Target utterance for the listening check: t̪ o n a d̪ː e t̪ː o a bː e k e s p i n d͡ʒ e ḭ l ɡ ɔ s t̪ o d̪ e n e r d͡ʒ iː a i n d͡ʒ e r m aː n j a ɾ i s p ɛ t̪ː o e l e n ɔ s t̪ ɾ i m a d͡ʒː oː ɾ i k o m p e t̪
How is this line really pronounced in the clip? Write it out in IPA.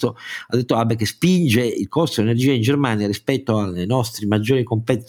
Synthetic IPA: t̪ o a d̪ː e t̪ː o a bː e k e s p i n d͡ʒ e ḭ l k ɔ s t̪ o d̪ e n e r d͡ʒ iː a i n d͡ʒ e r m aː n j a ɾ i s p ɛ t̪ː o a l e n ɔ s t̪ ɾ i m a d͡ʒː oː ɾ i k o m p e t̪